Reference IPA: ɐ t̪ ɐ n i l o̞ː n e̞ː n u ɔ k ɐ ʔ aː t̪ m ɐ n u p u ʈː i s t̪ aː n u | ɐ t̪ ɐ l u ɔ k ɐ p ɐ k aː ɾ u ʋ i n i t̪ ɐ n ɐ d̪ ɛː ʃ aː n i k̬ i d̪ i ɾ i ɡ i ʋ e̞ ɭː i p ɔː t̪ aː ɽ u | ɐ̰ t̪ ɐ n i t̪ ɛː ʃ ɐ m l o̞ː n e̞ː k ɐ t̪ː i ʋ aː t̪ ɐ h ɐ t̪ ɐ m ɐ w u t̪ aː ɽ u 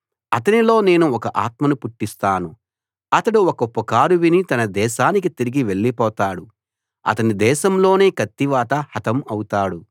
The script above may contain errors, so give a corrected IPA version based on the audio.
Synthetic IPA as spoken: ɐ t̪ ɐ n i l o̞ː n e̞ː n u ɔ k ɐ ʔ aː t̪ m ɐ n u p u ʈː i s t̪ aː n u | ɐ t̪ ɐ ɽ u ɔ k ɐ p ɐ k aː ɾ u ʋ i n i t̪ ɐ n ɐ d̪ ɛː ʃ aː n i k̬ i t̪ i ɾ i ɡ i ʋ e̞ ɭː i p ɔː t̪ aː ɽ u | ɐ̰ t̪ ɐ n i d̪ ɛː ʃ ɐ m l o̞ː n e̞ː k ɐ t̪ː i ʋ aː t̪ ɐ h ɐ t̪ ɐ m ɐ w u t̪ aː ɽ u